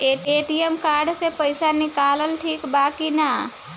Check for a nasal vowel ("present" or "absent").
absent